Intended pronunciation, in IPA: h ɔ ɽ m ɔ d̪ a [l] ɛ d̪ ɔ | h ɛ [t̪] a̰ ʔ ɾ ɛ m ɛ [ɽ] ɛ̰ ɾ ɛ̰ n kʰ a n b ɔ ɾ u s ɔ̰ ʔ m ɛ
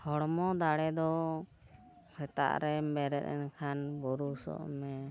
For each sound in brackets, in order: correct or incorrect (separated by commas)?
incorrect, correct, incorrect